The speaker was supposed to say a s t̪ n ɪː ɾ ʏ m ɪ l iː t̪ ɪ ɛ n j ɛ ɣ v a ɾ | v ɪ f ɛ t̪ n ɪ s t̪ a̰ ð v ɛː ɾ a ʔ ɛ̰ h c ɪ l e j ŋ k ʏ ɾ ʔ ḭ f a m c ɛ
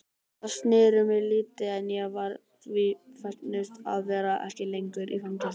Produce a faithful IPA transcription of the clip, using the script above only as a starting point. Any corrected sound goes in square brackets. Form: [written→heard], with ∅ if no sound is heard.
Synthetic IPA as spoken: a s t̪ n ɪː ɾ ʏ m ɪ l iː t̪ ɪ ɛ n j ɛ ɣ v a ɾ | v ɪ f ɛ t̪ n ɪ s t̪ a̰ ð v ɛː ɾ a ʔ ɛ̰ h c ɪ l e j ŋ k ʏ ɾ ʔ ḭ f a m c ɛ